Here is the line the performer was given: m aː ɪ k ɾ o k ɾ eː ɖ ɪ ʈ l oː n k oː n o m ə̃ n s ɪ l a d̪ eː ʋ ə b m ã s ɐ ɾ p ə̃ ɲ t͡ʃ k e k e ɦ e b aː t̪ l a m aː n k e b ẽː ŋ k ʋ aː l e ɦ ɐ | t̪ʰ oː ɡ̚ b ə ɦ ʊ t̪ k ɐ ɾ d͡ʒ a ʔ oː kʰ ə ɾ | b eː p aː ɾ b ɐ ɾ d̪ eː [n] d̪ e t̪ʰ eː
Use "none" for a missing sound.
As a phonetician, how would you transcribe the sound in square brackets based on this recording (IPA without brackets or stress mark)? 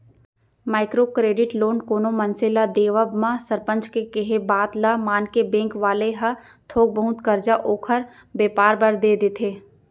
none